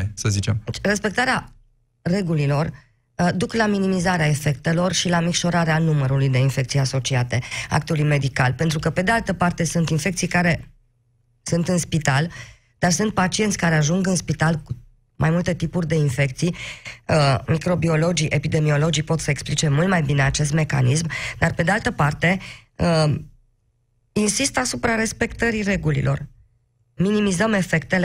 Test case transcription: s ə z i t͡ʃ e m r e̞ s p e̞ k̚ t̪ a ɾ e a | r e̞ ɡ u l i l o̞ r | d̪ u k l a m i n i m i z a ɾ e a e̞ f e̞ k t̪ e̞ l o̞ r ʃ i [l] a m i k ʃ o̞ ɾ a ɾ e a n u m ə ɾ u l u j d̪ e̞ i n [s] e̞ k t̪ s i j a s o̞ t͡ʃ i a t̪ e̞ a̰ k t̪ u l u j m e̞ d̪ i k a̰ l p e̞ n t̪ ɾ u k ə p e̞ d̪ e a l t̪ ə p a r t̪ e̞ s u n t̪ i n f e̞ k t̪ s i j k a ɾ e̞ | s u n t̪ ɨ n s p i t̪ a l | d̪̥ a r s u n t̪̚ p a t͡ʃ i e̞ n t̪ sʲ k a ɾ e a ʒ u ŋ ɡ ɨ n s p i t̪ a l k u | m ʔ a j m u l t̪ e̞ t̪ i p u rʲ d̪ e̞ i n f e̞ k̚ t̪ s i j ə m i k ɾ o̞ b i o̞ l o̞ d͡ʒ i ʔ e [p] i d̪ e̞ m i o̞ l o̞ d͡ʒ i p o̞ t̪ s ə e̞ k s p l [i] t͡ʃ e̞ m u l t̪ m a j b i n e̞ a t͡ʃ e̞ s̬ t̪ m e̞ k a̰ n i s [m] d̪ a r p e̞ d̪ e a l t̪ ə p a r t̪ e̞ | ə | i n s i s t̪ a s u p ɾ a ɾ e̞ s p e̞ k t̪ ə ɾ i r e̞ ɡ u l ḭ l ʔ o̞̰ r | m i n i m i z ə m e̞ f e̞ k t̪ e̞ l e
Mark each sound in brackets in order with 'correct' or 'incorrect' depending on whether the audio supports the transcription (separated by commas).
correct, incorrect, correct, correct, correct